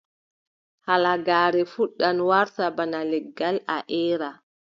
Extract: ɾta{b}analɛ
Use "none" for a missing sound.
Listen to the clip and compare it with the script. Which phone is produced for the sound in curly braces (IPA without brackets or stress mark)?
b